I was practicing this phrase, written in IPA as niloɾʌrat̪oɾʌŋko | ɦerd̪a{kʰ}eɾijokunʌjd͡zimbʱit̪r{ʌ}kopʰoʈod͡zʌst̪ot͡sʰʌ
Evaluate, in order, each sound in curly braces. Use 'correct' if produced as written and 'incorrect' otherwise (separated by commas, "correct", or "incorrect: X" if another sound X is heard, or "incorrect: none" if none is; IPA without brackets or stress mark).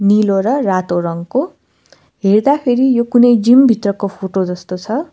incorrect: pʰ, correct